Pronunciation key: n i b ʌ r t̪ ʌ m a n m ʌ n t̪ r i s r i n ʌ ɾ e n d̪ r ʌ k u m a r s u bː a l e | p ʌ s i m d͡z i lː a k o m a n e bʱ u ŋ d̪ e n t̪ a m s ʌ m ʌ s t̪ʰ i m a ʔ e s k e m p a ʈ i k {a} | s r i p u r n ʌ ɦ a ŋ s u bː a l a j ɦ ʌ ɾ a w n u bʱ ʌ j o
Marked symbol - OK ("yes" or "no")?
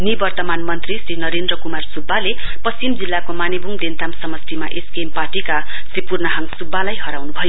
yes